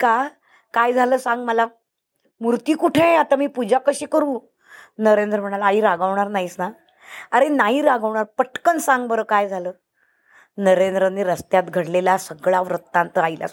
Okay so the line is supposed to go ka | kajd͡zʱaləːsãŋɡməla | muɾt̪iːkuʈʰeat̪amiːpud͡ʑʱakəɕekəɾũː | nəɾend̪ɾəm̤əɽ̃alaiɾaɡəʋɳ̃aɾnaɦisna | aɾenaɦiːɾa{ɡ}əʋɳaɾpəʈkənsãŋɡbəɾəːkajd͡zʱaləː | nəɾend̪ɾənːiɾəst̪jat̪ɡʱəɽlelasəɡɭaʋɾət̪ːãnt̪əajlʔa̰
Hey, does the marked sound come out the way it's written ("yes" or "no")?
yes